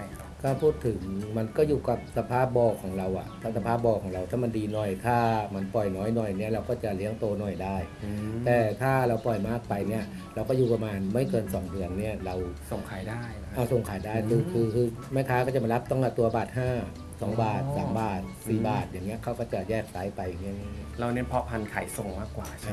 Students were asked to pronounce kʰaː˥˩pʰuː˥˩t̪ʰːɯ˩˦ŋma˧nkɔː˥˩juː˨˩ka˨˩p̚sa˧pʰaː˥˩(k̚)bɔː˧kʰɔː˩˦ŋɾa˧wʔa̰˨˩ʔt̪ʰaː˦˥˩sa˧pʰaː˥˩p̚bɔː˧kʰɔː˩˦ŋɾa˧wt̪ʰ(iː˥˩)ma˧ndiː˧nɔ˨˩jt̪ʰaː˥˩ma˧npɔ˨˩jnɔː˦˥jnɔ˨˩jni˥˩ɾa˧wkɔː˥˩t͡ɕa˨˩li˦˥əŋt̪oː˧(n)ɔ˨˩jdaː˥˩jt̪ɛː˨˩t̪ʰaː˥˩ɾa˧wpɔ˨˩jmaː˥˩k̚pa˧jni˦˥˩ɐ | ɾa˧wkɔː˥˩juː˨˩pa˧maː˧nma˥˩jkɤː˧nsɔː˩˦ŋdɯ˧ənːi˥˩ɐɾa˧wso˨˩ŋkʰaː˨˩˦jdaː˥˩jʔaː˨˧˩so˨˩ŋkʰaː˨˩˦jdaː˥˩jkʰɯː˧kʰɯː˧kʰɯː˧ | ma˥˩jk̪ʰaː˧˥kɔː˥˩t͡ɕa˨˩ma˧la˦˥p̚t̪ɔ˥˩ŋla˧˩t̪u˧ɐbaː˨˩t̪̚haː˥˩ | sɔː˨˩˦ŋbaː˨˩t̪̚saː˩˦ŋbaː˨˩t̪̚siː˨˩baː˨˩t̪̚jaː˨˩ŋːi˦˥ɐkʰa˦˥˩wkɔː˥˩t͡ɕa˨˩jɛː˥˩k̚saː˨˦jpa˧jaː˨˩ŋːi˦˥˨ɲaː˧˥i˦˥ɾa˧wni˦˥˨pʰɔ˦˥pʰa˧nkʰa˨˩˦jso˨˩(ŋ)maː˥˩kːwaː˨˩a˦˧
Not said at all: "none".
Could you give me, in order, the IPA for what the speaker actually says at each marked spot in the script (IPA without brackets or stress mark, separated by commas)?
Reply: p̚, aː˥˩, n, ŋ